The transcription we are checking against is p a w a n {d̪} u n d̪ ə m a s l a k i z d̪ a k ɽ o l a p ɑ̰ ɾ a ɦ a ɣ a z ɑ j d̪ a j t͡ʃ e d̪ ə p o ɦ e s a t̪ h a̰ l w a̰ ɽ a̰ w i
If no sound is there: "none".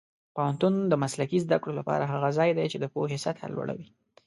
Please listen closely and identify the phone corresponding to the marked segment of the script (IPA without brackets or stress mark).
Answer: t̪